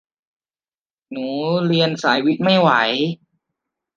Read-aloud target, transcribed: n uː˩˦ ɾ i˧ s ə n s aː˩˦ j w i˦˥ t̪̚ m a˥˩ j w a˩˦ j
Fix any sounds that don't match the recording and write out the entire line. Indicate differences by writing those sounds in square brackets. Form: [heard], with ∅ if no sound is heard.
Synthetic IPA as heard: n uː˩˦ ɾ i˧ [∅] ə n s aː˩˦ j w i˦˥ t̪̚ m a˥˩ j w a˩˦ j